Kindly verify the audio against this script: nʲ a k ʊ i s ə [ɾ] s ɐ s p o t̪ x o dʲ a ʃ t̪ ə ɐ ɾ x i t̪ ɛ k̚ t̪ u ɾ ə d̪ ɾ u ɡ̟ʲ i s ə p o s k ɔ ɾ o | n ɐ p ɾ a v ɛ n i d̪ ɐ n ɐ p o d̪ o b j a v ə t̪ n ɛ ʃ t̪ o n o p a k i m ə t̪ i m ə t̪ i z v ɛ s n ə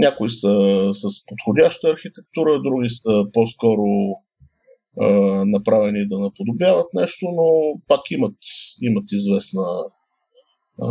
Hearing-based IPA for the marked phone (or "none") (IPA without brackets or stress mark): none